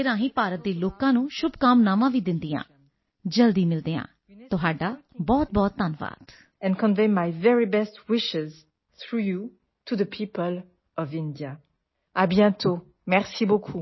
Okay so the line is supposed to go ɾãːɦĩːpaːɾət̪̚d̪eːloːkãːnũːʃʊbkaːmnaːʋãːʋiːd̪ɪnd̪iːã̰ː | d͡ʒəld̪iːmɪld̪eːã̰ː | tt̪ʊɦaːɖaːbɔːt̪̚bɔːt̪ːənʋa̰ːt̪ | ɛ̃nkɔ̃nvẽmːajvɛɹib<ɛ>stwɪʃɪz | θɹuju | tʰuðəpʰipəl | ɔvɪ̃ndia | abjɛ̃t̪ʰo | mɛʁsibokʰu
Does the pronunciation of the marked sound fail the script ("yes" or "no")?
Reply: no